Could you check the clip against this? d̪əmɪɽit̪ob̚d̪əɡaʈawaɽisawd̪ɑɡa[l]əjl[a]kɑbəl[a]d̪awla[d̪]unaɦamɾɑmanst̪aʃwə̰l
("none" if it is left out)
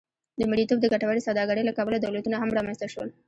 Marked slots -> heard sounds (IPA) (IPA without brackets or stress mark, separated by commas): ɽ, a, a, t̪